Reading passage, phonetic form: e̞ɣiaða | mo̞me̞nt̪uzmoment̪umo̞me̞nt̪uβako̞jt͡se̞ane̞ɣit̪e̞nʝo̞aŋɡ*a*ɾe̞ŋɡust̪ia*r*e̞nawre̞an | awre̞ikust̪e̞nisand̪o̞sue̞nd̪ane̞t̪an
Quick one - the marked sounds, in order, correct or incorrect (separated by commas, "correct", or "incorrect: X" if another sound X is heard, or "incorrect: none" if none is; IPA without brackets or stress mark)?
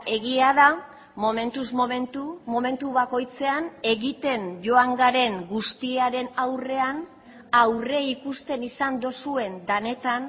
correct, incorrect: ɾ